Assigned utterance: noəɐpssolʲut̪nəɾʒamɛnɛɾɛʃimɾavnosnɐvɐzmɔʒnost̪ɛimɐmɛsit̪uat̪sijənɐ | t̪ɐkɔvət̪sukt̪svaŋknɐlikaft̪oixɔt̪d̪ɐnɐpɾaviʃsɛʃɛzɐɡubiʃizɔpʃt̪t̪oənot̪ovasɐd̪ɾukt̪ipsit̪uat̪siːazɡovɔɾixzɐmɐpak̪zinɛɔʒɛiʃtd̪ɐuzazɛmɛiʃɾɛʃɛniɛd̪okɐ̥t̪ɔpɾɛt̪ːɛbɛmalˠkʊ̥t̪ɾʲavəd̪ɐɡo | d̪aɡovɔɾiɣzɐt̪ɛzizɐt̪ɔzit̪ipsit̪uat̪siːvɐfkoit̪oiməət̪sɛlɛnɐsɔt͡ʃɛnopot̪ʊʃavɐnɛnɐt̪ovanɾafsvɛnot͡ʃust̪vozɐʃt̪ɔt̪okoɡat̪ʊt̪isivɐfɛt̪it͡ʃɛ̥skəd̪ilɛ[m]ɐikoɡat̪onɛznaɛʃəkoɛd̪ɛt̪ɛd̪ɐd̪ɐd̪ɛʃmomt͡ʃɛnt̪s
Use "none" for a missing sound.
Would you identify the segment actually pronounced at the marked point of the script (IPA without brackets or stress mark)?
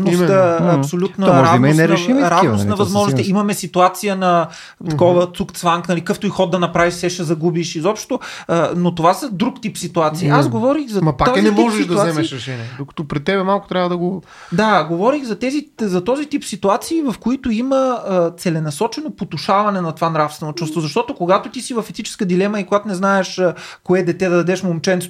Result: m